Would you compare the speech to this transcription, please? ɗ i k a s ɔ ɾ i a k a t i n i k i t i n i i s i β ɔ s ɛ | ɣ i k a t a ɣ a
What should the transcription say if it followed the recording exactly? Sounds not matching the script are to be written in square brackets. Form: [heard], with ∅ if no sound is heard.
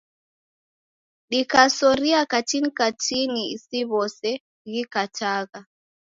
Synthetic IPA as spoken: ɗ i k a s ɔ ɾ i a k a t i n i k [a] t i n i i s i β ɔ s ɛ | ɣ i k a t a ɣ a